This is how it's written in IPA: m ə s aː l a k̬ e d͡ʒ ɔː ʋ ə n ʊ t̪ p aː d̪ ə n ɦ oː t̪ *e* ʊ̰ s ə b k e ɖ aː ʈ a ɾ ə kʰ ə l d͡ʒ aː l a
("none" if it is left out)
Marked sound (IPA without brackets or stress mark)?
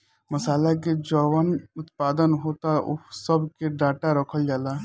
a